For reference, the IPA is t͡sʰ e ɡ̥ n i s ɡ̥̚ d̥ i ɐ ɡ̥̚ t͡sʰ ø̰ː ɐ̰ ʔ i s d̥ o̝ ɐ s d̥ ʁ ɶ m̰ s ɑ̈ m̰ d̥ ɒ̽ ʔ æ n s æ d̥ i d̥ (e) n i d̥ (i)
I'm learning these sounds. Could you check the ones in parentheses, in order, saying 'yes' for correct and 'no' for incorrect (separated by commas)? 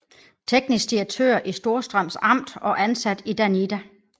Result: no, no